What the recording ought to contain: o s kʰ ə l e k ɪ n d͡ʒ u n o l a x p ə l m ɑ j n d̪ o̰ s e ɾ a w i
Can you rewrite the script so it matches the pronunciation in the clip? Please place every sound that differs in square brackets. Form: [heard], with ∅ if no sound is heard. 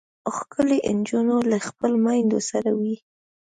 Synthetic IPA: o [x] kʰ ə l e [ʔ] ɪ n d͡ʒ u n o l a x p ə l m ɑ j n d̪ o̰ s [a] ɾ a w i